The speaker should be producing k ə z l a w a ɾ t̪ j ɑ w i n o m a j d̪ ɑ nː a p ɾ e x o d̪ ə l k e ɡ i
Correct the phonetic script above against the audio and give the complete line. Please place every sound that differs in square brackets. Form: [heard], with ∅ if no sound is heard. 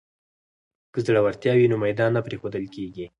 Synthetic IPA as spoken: k ə z [ɽ] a w a ɾ t̪ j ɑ w i n o m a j d̪ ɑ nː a p ɾ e x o d̪ ə l k e ɡ i